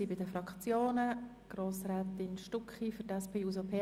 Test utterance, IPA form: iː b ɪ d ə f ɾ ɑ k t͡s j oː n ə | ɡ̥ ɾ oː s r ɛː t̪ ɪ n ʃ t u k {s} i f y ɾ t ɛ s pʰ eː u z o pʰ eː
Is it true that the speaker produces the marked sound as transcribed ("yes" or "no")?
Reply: no